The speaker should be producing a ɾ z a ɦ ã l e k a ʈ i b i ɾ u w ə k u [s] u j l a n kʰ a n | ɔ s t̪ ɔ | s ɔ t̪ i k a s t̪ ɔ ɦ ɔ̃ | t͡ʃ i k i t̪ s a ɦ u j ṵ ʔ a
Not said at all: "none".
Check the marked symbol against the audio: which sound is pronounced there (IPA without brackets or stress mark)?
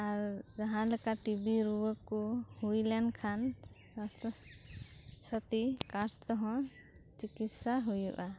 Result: h